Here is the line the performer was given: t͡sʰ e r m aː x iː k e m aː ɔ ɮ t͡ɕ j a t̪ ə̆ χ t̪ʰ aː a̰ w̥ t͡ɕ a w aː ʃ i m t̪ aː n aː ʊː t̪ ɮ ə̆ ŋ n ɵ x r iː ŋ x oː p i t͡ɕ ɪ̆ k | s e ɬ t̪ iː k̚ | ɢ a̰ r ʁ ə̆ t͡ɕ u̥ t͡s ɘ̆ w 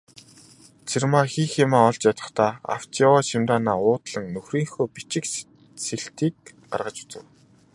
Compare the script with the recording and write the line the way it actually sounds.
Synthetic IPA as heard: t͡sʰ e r m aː x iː x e m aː ɔ ɮ t͡ɕ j a t̪ ə̆ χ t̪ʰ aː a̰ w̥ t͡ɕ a w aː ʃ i m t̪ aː n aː ʊː t̪ ɮ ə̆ ŋ n ɵ x r iː ŋ x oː p i t͡ɕ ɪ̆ k | s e ɬ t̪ iː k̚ | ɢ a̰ r ʁ ə̆ t͡ɕ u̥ t͡s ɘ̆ w